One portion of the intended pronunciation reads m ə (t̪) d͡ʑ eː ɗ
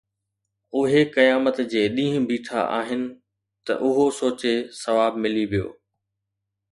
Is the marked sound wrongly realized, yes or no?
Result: no